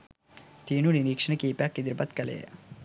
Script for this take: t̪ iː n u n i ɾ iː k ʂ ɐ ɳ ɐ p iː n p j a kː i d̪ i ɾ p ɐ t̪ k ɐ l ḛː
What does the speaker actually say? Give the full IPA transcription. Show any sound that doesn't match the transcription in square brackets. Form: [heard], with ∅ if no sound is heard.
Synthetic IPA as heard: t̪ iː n u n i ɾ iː k ʂ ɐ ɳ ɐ [k] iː [∅] p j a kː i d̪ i ɾ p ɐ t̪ k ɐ l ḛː

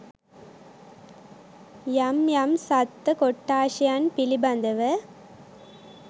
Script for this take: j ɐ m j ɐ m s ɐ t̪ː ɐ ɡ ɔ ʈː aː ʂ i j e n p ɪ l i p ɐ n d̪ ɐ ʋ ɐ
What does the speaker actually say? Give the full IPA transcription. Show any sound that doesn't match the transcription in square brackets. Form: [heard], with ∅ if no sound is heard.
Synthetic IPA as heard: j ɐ m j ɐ m s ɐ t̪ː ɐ [k] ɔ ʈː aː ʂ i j [a] n p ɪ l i [b] ɐ n d̪ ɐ ʋ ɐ

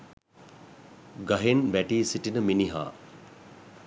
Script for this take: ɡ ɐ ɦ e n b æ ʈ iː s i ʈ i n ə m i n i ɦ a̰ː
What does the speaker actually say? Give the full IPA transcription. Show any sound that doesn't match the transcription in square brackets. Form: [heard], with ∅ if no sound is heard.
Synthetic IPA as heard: ɡ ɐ ɦ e n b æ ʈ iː s i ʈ i n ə m i n i ɦ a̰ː

